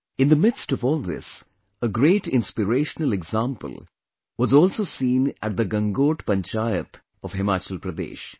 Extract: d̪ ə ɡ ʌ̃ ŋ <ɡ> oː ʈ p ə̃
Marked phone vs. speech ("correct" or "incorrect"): correct